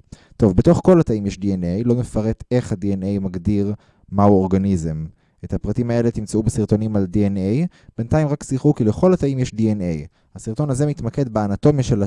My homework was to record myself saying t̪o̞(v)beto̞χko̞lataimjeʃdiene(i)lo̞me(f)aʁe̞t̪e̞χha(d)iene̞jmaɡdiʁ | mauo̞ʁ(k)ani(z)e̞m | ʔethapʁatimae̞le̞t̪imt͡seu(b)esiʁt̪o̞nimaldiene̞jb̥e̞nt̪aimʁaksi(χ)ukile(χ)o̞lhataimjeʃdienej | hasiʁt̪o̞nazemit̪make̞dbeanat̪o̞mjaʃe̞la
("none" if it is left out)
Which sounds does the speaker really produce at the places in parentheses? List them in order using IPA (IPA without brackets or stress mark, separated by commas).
v, j, f, d, ɡ, z, b, χ, χ